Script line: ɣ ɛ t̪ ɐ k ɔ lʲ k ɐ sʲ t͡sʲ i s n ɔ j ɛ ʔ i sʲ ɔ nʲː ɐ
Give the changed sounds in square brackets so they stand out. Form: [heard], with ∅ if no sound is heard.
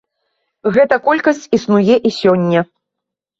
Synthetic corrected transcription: ɣ ɛ t̪ ɐ k ɔ lʲ k ɐ sʲ t͡sʲ i s n [u] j ɛ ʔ i sʲ ɔ nʲː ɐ